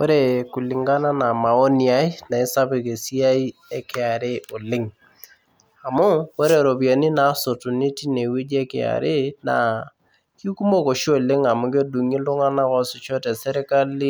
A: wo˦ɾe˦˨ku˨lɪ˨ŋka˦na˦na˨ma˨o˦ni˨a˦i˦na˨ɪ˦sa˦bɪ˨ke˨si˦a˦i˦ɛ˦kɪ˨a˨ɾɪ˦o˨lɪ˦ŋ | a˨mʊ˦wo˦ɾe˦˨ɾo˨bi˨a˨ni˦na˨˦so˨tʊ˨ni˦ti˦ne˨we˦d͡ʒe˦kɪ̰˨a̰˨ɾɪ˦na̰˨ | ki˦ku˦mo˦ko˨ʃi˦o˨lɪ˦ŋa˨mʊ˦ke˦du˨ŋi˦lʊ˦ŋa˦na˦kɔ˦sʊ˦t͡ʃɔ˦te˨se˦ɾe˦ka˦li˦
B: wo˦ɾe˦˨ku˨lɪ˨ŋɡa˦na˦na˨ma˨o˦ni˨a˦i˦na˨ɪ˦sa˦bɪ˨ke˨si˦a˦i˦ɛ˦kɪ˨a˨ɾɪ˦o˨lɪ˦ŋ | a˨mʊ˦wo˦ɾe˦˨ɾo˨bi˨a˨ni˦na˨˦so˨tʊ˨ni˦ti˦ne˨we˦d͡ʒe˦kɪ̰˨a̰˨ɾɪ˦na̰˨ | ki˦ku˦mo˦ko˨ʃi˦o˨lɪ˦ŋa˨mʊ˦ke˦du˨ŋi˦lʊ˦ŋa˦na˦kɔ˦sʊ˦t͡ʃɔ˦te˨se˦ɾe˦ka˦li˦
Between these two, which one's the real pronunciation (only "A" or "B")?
B